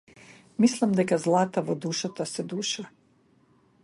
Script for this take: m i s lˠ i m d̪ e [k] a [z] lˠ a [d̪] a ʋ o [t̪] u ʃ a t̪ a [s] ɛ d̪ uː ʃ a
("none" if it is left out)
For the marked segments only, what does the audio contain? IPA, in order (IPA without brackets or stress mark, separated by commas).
k, z, t̪, d̪, s